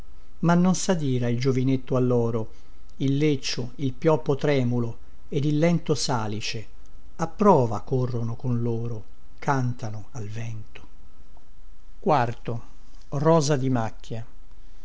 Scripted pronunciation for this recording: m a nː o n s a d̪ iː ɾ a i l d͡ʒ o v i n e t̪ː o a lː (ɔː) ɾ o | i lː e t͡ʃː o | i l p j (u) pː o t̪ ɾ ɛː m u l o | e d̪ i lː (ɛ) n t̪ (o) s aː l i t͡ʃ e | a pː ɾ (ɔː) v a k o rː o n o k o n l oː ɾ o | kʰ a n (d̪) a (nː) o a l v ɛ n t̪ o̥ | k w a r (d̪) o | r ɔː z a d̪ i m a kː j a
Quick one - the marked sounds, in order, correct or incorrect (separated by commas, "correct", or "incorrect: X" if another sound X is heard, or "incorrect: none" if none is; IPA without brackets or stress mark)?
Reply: correct, incorrect: ɔ, correct, correct, correct, incorrect: t̪, incorrect: n, incorrect: t̪